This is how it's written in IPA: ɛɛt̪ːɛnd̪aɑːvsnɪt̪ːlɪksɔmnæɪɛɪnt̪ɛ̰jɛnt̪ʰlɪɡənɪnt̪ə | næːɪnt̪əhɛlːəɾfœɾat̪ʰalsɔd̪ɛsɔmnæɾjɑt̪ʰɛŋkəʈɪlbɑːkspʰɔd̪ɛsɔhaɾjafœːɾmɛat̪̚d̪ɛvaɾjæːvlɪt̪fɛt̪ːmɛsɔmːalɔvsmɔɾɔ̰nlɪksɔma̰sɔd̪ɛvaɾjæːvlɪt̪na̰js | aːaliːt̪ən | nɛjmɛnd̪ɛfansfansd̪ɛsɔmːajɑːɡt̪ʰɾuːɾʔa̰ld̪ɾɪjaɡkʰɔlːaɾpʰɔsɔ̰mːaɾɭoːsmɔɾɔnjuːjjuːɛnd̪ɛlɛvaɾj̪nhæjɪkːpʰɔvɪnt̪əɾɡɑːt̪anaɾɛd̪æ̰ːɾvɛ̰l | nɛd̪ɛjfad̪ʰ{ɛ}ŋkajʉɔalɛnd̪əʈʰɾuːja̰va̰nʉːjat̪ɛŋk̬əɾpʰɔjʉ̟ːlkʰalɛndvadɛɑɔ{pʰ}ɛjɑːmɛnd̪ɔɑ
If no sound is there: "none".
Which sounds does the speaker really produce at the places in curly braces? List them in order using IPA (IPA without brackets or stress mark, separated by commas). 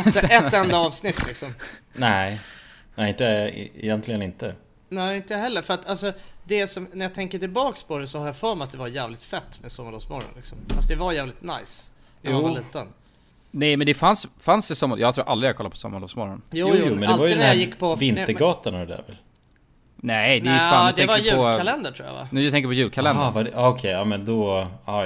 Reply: ɛ, kʰ